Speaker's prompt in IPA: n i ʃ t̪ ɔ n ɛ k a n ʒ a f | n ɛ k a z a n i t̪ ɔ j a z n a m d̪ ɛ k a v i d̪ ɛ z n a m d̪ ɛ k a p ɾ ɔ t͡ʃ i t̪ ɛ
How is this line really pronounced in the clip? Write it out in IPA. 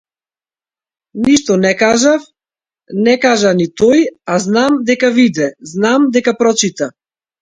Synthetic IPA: n i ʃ t̪ ɔ n ɛ k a ʒ a f | n ɛ k a ʒ a n i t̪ ɔ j a z n a m d̪ ɛ k a v i d̪ ɛ z n a m d̪ ɛ k a p ɾ ɔ t͡ʃ i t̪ a